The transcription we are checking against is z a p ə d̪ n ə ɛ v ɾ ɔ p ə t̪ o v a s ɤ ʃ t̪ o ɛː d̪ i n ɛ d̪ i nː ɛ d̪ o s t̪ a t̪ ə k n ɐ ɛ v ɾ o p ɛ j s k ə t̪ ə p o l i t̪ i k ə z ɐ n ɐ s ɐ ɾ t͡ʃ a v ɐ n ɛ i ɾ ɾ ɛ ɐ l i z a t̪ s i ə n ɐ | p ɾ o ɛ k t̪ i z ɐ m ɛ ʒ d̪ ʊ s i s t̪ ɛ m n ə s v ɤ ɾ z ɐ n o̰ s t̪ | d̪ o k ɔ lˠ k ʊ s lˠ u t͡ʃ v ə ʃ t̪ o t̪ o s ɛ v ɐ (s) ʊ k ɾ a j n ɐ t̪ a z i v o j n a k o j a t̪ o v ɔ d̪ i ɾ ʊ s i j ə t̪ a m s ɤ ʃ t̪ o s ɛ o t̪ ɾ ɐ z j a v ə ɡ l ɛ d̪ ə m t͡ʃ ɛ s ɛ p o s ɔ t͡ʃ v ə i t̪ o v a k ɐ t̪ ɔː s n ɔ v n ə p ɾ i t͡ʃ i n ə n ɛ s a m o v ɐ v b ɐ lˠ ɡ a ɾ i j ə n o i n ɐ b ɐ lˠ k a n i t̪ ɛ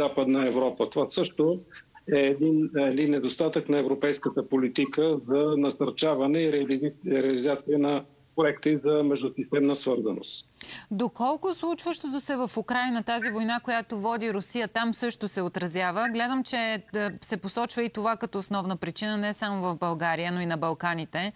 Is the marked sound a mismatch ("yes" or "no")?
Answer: yes